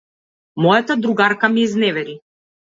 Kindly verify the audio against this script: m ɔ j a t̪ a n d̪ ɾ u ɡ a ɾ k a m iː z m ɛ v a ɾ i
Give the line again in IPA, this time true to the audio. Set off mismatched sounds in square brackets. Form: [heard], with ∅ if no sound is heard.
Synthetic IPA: m ɔ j a t̪ a [∅] d̪ ɾ u ɡ a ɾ k a m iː z [n] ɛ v [ɛ] ɾ i